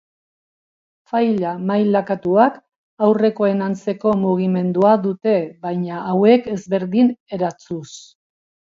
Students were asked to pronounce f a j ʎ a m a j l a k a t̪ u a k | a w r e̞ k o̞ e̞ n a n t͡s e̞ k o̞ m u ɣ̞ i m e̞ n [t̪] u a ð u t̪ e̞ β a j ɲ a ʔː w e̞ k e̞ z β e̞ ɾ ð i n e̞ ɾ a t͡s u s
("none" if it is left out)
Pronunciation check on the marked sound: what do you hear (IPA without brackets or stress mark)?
d̪